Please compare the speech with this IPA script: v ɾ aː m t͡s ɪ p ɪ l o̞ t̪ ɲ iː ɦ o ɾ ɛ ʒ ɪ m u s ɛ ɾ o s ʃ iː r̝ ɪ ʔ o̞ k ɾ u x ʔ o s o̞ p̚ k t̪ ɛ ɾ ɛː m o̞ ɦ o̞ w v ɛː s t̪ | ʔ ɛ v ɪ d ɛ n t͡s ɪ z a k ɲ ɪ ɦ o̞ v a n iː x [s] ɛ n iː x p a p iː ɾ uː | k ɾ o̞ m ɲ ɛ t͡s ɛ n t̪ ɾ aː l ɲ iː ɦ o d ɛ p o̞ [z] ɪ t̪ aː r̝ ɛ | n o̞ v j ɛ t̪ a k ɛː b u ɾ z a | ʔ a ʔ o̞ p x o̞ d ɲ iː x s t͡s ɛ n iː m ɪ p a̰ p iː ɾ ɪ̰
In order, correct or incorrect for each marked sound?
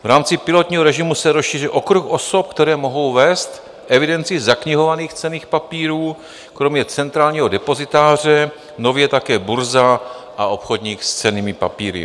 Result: incorrect, correct

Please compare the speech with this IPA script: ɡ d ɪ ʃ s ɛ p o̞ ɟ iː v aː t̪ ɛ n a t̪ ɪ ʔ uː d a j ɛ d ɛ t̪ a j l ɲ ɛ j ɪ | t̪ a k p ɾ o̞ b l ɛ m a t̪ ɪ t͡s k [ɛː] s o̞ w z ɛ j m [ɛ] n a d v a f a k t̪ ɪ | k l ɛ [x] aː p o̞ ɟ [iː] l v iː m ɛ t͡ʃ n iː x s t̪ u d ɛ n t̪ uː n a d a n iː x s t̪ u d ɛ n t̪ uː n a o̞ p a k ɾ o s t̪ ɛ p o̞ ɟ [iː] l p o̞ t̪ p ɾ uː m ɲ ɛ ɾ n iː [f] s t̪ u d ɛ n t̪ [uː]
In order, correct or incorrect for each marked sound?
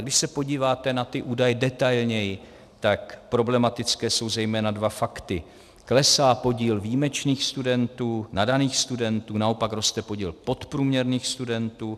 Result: correct, incorrect, incorrect, correct, correct, incorrect, correct

